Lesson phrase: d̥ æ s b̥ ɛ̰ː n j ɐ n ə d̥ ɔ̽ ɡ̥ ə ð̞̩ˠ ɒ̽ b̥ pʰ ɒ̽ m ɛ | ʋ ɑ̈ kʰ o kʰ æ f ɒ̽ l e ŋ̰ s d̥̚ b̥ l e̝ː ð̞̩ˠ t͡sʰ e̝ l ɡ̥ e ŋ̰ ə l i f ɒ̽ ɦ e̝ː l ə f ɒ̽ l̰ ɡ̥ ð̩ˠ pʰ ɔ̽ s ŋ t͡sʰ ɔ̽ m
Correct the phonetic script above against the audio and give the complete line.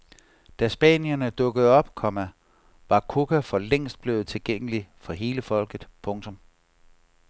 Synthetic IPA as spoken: d̥ æ s b̥ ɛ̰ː n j ɐ n ə d̥ ɔ̽ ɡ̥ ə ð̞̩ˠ ɒ̽ b̥ kʰ ɒ̽ m æ | ʋ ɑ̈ kʰ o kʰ æ f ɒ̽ l e ŋ̰ s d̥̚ b̥ l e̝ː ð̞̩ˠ t͡sʰ e̝ l ɡ̥ e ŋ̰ ə l i f ɒ̽ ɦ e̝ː l ə f ɒ̽ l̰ ɡ̥ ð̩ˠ pʰ ɔ̽ ŋ t͡sʰ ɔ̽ m